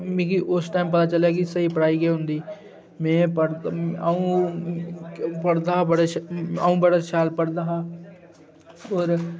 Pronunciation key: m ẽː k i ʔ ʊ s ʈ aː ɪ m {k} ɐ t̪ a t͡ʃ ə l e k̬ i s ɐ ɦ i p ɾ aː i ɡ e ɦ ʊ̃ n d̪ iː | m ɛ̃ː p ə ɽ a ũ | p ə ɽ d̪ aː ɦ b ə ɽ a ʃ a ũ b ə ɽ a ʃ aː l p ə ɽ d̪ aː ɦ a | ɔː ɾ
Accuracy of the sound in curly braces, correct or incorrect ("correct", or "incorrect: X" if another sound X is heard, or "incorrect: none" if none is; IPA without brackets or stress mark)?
incorrect: p